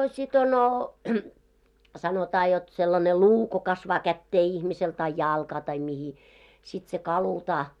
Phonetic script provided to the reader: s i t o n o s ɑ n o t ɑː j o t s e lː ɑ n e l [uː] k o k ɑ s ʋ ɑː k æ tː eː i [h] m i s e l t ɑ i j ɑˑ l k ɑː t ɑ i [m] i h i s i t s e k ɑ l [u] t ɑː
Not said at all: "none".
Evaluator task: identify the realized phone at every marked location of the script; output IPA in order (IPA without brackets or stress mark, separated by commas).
uː, h, m, u